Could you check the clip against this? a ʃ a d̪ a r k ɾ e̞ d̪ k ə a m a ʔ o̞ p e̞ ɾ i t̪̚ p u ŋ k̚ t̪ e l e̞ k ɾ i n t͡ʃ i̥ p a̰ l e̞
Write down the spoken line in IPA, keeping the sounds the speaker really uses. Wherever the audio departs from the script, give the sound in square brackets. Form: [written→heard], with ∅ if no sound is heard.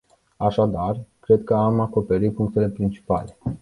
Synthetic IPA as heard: a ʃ a d̪ a r k ɾ e̞ d̪ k ə a m a [ʔ→k] o̞ p e̞ ɾ i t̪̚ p u ŋ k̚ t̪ e l e̞ [k→p] ɾ i n t͡ʃ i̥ p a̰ l e̞